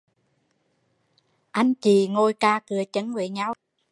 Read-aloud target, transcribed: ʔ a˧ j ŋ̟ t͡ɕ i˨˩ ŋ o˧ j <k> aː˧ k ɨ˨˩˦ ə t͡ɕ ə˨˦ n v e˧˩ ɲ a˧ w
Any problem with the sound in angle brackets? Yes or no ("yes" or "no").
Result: no